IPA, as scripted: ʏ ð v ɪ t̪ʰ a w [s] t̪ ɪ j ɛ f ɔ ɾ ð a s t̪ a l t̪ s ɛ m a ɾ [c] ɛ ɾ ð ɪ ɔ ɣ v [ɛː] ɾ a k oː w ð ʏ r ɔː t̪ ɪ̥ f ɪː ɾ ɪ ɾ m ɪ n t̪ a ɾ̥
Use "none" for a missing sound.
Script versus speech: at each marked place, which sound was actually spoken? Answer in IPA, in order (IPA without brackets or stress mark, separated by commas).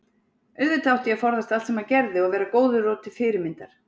h, c, ɛː